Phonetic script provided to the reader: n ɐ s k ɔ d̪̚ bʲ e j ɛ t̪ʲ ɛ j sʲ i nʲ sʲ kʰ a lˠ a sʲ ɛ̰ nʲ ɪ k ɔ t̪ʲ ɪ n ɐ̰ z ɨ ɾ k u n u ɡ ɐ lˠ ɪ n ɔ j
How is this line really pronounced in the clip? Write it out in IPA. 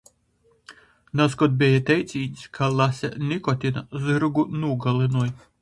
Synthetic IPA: n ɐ s k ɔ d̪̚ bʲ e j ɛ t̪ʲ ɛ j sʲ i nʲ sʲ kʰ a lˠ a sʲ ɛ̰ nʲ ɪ k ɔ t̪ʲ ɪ n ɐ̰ z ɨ ɾ ɡ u n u ɡ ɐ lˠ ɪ n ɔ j